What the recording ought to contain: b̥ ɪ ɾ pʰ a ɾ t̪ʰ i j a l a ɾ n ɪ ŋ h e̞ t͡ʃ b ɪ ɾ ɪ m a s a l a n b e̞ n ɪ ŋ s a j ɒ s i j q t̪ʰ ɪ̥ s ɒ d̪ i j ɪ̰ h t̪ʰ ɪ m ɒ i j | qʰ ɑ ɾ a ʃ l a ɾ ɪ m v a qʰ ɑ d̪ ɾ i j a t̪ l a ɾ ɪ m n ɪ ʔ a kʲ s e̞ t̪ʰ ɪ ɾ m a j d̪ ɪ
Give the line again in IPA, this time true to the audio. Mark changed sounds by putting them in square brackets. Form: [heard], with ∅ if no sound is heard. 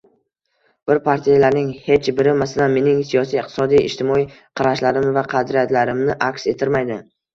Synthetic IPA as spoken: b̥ ɪ ɾ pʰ a ɾ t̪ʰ i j a l a ɾ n ɪ ŋ h e̞ t͡ʃ b ɪ ɾ ɪ m a s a l a n [m] e̞ n ɪ ŋ s [i] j ɒ s i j q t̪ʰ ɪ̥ s ɒ d̪ i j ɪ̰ [ʃ] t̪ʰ ɪ m ɒ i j | qʰ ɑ ɾ a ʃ l a ɾ ɪ m v a qʰ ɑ d̪ ɾ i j a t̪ l a ɾ ɪ m n ɪ ʔ a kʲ s e̞ t̪ʰ ɪ ɾ m a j d̪ ɪ